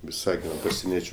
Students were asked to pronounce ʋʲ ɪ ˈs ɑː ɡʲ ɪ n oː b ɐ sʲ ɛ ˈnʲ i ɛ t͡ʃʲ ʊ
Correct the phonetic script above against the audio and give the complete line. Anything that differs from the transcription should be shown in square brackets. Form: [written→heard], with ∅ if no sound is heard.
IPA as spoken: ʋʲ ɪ ˈs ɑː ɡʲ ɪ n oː [b→p] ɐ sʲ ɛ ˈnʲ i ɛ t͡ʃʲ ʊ